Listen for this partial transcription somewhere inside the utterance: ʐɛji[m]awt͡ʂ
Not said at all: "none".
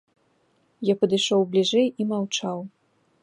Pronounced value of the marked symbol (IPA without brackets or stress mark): m